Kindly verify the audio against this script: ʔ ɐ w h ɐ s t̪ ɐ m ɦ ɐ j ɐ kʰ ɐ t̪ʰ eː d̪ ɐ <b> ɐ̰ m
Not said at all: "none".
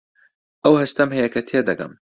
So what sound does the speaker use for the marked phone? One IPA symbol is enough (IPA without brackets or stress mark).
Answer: ɡ